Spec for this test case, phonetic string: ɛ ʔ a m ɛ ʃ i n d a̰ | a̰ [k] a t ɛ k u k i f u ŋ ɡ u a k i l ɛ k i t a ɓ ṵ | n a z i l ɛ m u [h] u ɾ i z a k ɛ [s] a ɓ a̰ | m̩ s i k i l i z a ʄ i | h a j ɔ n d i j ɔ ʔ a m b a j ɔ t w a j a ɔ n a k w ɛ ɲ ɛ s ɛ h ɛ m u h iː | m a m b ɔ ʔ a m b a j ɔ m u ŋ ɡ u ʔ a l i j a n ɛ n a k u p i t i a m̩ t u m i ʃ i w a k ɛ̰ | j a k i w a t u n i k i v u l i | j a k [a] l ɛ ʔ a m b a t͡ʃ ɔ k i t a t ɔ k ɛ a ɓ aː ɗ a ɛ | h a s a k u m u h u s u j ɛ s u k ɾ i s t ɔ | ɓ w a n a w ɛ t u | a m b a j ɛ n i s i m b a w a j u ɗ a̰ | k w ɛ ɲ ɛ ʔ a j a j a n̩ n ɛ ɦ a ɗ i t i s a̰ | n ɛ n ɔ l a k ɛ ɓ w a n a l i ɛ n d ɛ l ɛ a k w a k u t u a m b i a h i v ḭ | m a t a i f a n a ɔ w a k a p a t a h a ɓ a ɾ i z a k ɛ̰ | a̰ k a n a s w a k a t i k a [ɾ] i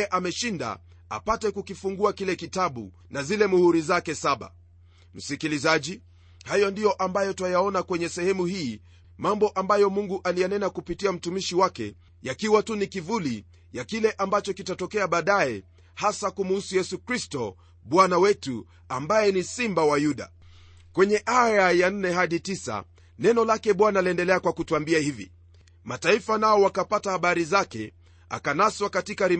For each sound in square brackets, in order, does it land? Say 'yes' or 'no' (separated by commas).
no, yes, yes, no, yes